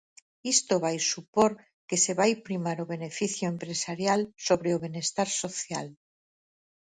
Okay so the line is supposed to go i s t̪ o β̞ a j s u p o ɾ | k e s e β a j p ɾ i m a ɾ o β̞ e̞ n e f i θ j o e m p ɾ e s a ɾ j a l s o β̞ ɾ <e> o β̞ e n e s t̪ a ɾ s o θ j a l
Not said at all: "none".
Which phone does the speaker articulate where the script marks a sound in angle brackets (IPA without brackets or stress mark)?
e